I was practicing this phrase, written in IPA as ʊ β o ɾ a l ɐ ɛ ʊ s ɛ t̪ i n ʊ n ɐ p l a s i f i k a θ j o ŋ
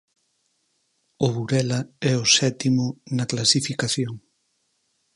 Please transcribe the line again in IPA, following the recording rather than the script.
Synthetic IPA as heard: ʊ β u ɾ ɛ l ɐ ɛ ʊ s ɛ t̪ i m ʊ n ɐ k l a s i f i k a θ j o ŋ